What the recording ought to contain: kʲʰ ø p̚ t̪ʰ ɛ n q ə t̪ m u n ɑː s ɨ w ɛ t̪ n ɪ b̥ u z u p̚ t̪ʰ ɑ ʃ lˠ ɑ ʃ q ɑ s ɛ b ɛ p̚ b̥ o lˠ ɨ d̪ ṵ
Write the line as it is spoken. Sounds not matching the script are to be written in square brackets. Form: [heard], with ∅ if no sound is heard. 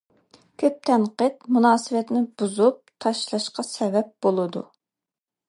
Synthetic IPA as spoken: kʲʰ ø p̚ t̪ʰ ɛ n q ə t̪ m u n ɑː s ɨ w ɛ t̪ n ɪ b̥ u z u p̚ t̪ʰ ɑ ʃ lˠ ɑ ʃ q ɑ s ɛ [v] ɛ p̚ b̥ o lˠ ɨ d̪ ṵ